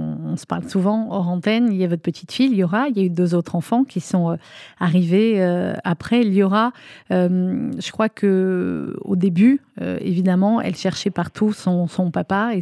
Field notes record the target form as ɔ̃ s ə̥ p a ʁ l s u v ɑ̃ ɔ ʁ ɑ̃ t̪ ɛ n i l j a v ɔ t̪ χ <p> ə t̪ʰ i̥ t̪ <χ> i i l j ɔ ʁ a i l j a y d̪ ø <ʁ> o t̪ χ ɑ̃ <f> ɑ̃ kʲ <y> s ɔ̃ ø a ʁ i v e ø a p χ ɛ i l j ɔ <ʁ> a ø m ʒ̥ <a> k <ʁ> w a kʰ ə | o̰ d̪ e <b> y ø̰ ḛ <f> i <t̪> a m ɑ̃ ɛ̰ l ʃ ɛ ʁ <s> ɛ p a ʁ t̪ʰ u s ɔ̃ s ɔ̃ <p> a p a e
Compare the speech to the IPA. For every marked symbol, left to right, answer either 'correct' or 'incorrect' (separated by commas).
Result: correct, incorrect, incorrect, correct, incorrect, correct, incorrect, incorrect, correct, incorrect, incorrect, incorrect, correct